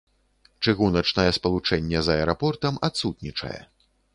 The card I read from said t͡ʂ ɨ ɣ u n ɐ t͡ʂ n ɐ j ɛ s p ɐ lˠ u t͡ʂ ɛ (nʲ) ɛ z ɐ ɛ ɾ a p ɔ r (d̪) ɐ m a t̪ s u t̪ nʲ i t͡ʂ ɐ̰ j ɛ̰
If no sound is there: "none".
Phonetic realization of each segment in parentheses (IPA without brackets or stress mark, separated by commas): nʲː, t̪